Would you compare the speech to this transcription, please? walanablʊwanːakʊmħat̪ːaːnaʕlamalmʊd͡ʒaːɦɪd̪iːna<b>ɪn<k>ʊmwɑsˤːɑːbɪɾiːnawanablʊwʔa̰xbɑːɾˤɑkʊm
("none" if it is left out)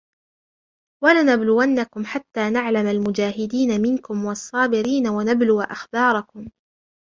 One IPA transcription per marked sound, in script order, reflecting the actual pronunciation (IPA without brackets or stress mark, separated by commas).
m, k